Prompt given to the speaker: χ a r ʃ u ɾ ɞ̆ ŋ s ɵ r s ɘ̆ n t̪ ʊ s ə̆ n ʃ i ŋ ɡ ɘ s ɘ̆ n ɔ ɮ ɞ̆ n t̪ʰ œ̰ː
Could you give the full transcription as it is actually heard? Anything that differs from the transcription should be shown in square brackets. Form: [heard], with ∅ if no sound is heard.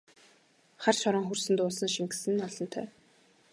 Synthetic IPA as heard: χ a r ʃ [ɔ] ɾ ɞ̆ ŋ [x] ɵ r s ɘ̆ n t̪ [ʊː] s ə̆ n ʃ i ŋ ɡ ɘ s ɘ̆ n ɔ ɮ ɞ̆ n t̪ʰ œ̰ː